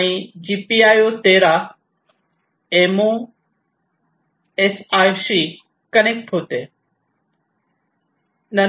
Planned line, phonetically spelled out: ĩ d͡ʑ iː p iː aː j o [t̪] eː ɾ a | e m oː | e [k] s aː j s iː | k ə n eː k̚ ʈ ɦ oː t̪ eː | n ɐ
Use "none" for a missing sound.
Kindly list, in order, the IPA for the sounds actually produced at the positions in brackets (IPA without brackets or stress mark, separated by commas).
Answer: t̪, none